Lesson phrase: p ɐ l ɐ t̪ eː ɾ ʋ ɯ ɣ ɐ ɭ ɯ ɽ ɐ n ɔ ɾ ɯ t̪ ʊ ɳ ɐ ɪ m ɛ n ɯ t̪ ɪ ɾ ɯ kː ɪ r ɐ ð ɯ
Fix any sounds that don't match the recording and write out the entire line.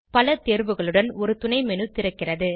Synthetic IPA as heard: p ɐ l ɐ t̪ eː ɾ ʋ ɯ ɣ ɐ ɭ ɯ ɽ ɐ n ɔ ɾ ɯ t̪ ʊ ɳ ɐ ɪ m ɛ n ɯ t̪ ɪ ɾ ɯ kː ɪ r ɐ ð ɯ